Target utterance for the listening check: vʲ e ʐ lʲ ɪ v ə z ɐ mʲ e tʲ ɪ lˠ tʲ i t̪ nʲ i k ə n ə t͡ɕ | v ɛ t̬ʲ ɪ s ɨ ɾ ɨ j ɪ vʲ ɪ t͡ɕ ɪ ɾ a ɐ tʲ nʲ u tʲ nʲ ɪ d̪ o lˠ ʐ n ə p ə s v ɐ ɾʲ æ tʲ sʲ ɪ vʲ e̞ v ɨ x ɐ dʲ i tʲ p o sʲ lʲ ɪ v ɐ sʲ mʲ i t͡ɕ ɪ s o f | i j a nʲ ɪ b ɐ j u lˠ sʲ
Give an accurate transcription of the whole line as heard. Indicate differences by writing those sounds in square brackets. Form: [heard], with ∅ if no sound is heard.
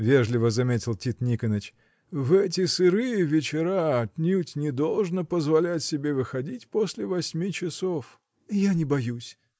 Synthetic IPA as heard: vʲ e ʐ lʲ ɪ v ə z ɐ mʲ e tʲ ɪ lˠ tʲ i t̪ nʲ i k ə n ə t͡ɕ | v ɛ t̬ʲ ɪ s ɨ ɾ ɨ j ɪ vʲ ɪ t͡ɕ ɪ ɾ a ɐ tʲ nʲ u tʲ nʲ ɪ d̪ o lˠ ʐ n ə p ə [z] v ɐ [lʲ] æ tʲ sʲ ɪ [bʲ] e̞ v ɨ x ɐ dʲ i tʲ p o sʲ lʲ ɪ v ɐ sʲ mʲ i t͡ɕ ɪ s o f | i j a nʲ ɪ b ɐ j u [∅] sʲ